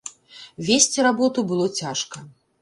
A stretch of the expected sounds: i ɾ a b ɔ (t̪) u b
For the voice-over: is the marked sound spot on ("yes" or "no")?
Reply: yes